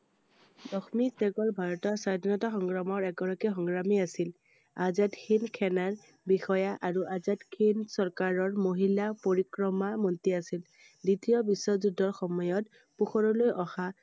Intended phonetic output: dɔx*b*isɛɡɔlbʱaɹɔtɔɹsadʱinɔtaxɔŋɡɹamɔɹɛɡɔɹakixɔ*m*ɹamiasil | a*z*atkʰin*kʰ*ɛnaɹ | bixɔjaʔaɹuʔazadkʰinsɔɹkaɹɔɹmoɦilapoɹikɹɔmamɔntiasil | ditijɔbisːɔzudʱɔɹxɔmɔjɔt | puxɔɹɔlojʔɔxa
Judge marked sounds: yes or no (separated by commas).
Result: no, no, yes, yes